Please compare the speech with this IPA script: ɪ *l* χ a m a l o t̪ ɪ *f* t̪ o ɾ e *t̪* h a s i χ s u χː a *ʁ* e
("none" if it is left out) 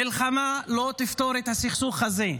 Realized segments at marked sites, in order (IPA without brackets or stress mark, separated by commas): l, f, t̪, z